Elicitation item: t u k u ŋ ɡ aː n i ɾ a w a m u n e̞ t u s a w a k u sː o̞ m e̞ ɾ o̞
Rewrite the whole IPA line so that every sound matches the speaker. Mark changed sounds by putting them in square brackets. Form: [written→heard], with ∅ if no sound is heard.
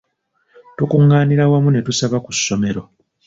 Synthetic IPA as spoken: t u k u ŋ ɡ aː n i ɾ a w a m u n e̞ t u s a [w→β] a k u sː o̞ m e̞ ɾ o̞